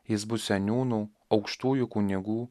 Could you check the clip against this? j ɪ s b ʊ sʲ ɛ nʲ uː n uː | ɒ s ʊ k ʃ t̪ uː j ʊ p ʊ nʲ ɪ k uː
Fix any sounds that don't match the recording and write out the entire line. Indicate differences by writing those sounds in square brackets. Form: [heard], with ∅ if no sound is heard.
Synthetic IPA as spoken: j ɪ s b ʊ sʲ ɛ nʲ uː n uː | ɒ [∅] ʊ k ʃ t̪ uː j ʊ [k] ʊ nʲ ɪ [ɡ] uː